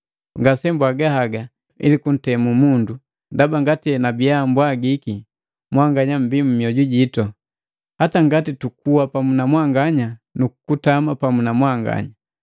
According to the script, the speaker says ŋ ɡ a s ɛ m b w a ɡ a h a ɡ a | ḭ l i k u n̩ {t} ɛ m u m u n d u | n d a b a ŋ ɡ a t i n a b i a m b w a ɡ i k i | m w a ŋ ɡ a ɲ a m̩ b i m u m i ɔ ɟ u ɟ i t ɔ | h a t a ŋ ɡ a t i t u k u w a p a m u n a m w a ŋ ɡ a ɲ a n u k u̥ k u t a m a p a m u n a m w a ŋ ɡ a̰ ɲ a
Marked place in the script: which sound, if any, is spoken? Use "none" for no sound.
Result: t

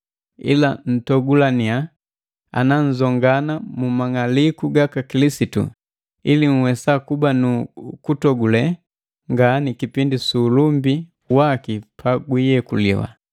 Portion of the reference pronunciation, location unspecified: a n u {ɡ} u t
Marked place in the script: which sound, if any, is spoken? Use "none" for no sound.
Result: k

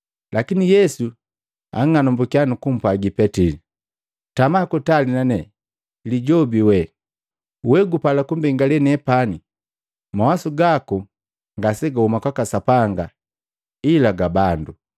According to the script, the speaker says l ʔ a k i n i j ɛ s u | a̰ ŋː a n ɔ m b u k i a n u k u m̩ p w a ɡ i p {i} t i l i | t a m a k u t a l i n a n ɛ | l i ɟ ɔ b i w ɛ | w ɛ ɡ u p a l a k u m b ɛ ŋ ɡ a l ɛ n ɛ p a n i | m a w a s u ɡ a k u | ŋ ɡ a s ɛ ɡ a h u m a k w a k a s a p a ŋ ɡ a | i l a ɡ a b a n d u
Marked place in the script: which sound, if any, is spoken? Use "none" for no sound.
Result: ɛ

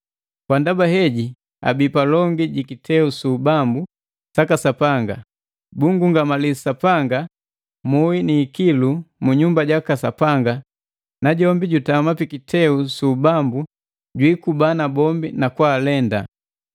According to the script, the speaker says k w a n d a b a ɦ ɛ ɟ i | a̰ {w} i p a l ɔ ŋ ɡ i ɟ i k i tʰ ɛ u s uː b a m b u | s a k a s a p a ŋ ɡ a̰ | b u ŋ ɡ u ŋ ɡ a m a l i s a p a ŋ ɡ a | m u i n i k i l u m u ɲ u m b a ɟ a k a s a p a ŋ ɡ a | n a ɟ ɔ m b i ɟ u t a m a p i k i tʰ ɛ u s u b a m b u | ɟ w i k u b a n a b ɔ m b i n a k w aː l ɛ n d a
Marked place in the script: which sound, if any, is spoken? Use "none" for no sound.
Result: b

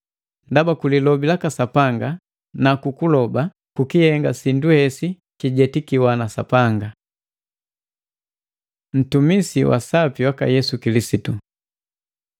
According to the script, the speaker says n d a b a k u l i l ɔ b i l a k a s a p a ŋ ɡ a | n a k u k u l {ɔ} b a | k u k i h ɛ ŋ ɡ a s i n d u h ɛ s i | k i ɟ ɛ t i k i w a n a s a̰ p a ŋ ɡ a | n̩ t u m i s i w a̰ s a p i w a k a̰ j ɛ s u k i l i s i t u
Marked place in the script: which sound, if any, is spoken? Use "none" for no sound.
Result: ɔ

